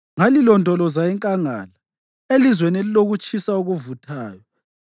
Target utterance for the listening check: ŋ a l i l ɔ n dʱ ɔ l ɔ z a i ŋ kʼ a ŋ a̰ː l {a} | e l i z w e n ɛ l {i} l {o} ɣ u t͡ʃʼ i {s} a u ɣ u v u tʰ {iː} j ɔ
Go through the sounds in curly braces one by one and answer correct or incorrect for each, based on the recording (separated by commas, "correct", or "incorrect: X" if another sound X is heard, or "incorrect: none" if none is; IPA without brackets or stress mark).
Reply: correct, correct, correct, correct, incorrect: aː